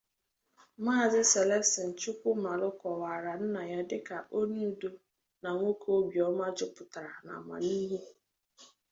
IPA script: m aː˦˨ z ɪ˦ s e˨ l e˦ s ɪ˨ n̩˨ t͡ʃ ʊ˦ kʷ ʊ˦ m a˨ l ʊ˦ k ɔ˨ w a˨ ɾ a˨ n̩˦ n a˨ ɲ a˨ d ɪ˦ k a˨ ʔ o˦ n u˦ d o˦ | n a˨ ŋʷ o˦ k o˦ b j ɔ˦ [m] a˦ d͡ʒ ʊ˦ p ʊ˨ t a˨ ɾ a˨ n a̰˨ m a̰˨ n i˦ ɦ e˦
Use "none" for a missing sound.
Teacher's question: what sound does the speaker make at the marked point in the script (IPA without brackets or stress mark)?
m